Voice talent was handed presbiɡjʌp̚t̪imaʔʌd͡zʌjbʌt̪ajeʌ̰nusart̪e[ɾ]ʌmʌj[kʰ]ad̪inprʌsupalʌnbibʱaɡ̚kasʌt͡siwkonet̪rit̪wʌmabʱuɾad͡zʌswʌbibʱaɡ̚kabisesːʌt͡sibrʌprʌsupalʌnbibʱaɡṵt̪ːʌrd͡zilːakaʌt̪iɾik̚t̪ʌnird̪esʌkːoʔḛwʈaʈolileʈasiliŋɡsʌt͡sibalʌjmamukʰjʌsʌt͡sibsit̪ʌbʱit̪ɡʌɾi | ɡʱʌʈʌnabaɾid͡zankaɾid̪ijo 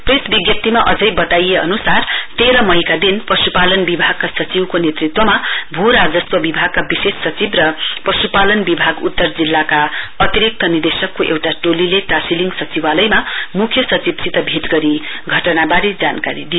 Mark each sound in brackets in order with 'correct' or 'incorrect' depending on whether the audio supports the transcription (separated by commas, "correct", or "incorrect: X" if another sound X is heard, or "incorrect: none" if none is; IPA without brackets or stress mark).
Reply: correct, incorrect: k